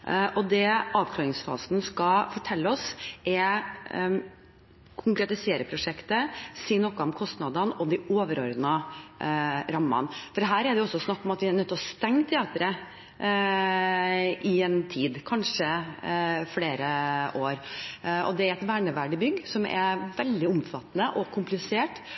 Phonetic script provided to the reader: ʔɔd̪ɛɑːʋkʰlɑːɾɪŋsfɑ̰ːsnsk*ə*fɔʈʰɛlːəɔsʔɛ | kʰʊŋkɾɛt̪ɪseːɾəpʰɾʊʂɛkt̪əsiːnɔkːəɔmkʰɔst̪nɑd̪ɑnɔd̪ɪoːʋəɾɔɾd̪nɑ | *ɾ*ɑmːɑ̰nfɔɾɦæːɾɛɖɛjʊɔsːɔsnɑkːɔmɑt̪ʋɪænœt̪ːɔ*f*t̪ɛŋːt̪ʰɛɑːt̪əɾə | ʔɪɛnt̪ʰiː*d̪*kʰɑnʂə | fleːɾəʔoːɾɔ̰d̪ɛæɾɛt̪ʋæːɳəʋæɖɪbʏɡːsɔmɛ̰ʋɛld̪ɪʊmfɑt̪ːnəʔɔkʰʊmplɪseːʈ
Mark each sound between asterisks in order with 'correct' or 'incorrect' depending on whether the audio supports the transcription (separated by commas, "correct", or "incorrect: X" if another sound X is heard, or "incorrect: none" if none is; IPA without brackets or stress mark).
incorrect: ɑ, correct, incorrect: s, correct